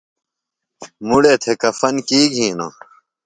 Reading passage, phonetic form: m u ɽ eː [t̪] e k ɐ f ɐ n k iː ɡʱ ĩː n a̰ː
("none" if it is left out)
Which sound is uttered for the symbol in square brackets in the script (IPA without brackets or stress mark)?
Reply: t̪ʰ